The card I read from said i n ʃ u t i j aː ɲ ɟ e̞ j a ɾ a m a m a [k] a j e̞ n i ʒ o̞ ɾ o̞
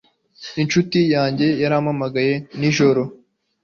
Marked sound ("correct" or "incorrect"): incorrect